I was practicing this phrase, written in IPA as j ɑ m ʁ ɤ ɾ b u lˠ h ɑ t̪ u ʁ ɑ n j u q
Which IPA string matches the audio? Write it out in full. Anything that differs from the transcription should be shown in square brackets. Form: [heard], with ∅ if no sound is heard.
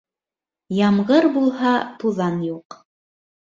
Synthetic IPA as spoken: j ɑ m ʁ ɤ ɾ b u lˠ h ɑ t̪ u [ð] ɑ n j u q